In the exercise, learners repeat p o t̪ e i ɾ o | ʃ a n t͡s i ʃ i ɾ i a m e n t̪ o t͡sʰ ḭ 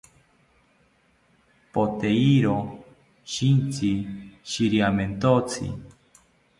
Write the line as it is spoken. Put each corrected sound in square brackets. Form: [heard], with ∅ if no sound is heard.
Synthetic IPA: p o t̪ e i ɾ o | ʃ [i] n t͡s i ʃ i ɾ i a m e n t̪ o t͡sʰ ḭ